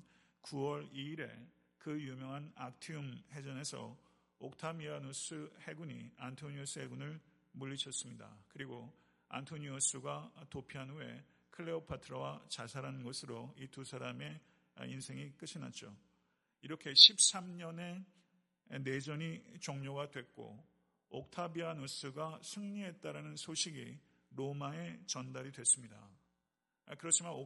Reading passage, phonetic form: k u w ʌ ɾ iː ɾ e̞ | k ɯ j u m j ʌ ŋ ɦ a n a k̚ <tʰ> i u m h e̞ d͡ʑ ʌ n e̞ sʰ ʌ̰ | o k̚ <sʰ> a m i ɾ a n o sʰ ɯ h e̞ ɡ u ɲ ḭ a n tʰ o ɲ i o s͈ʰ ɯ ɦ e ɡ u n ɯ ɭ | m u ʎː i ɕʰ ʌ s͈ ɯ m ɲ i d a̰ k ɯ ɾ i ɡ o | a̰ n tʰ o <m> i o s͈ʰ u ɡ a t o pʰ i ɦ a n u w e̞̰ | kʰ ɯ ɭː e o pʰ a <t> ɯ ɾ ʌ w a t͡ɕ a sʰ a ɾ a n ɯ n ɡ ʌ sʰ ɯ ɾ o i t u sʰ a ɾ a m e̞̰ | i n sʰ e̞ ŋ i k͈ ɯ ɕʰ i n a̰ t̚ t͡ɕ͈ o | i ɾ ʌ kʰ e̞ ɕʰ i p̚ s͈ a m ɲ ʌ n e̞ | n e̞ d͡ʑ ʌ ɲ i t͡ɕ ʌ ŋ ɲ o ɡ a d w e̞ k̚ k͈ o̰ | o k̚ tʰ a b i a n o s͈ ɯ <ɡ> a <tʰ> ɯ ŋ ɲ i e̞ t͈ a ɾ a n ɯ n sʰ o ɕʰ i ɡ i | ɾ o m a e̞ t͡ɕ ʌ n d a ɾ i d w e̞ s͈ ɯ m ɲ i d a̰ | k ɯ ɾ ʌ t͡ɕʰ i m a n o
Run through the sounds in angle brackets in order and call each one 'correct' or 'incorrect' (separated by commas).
correct, incorrect, incorrect, incorrect, correct, incorrect